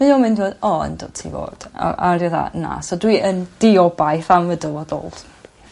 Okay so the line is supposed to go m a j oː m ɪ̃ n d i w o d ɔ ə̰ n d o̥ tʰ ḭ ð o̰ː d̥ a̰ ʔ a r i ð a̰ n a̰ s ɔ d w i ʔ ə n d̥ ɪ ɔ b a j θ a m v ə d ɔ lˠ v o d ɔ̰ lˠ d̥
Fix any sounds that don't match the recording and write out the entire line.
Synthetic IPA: m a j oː m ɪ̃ n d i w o d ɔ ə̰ n d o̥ tʰ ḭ v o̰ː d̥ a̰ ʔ a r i ð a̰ n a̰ s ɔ d w i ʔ ə n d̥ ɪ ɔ b a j θ a m v ə d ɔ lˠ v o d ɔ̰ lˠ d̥